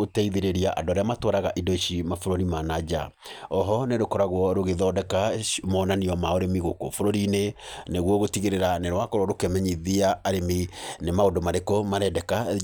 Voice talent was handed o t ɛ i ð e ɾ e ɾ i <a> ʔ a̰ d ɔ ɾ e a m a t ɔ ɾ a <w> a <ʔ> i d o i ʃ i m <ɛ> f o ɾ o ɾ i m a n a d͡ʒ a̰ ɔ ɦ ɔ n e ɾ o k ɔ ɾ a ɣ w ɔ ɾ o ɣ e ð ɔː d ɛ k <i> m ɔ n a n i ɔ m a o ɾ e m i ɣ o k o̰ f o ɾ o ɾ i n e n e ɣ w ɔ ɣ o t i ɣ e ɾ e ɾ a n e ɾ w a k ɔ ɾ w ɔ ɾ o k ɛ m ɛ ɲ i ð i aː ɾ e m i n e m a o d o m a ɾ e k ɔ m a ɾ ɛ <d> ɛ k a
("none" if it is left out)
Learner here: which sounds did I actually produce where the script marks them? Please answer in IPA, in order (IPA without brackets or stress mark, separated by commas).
a, ɣ, ʔ, a, a, d